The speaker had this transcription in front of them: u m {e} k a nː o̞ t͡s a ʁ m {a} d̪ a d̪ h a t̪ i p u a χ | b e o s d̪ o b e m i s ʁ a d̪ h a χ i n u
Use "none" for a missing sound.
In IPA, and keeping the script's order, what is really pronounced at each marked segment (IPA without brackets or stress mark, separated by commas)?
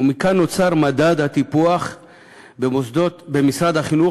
i, a